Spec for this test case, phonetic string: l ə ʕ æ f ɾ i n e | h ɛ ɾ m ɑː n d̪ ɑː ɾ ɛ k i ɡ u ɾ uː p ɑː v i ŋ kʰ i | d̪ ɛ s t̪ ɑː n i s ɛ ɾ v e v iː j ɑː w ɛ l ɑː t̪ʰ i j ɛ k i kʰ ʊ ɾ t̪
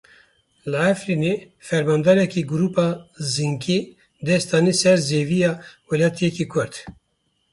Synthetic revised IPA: l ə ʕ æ f ɾ i n e | f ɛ ɾ m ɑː n d̪ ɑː ɾ ɛ k i ɡ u ɾ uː p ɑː z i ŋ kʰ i | d̪ ɛ s t̪ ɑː n i s ɛ ɾ z e v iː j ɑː w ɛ l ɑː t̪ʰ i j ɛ k i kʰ ʊ ɾ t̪